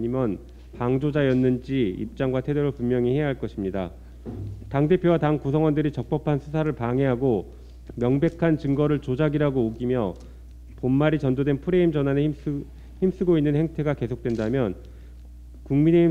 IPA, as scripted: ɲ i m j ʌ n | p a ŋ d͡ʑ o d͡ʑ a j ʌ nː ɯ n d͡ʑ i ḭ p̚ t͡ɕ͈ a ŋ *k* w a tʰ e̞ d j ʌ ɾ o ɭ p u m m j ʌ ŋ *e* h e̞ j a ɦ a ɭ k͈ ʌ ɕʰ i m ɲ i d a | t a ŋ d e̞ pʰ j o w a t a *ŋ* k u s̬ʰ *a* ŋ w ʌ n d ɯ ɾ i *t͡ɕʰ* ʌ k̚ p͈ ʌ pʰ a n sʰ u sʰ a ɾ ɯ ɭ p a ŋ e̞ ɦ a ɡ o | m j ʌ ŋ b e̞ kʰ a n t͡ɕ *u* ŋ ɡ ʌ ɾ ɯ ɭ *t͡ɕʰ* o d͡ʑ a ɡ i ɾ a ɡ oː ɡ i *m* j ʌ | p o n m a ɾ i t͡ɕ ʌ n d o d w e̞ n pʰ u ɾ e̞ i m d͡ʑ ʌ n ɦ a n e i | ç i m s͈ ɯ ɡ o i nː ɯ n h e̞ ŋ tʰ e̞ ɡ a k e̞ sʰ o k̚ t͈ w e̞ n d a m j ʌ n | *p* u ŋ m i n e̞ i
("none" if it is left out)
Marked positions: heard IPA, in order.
ɡ, i, ŋ, ʌ, t͡ɕ, ɯ, t͡ɕ, m, k

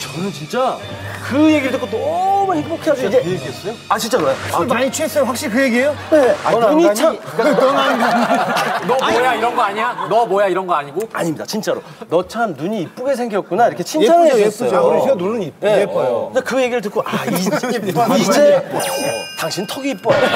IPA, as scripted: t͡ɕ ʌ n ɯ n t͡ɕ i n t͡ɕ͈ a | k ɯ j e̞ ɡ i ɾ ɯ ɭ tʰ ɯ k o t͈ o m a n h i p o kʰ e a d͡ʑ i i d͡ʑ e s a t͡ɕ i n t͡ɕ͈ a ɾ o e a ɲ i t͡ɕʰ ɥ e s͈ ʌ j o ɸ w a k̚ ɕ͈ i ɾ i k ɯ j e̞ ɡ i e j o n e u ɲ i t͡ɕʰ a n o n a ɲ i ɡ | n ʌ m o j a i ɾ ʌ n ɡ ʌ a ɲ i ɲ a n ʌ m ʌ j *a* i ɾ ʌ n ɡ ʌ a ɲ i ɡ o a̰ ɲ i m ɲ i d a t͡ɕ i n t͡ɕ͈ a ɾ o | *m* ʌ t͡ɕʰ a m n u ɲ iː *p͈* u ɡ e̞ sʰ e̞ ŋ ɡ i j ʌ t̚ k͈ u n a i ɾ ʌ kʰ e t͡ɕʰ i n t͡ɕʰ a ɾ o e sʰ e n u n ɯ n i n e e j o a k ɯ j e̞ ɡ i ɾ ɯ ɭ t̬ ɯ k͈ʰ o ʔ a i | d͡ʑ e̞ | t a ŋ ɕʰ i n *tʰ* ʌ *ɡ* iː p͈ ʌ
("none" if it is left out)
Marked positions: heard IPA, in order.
a, n, p͈, tʰ, ɡ

